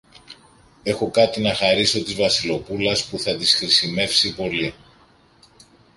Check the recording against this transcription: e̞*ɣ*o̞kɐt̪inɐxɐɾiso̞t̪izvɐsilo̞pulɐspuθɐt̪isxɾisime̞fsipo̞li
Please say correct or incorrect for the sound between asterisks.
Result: incorrect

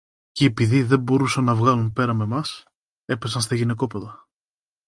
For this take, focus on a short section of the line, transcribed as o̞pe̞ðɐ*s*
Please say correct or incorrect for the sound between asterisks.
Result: incorrect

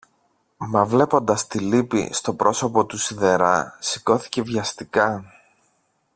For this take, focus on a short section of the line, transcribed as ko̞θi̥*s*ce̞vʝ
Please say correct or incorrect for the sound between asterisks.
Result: incorrect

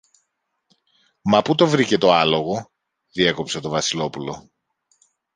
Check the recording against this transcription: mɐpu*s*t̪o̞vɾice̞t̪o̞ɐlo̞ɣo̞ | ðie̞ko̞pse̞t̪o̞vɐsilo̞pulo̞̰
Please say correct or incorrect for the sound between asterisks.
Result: incorrect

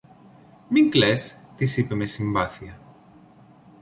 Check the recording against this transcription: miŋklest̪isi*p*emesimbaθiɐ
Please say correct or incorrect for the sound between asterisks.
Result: correct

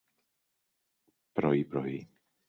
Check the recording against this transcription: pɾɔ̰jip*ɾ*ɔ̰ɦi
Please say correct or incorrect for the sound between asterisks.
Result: correct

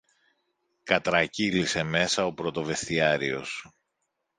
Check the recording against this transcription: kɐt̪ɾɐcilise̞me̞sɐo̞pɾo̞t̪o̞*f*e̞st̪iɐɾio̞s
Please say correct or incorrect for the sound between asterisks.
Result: incorrect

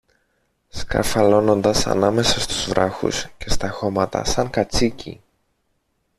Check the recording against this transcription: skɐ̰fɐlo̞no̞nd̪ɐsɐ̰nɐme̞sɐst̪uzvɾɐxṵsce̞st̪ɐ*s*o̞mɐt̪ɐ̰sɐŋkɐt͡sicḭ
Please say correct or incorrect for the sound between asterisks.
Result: incorrect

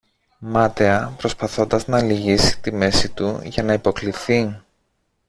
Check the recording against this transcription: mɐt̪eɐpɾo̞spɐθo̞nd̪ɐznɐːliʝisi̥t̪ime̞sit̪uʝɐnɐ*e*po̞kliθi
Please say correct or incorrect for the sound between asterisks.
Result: incorrect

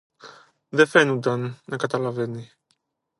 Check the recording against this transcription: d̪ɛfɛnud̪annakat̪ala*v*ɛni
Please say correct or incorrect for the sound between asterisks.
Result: correct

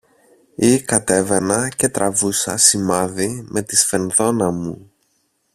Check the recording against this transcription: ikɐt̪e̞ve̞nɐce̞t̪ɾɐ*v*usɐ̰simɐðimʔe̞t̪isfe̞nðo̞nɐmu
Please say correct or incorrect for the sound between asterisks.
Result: correct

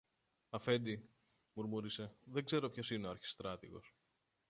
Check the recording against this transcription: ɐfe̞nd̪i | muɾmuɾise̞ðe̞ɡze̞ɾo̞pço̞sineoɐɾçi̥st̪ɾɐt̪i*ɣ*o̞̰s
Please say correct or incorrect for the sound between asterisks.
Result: correct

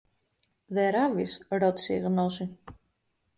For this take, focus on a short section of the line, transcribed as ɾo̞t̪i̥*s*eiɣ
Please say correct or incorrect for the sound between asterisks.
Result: correct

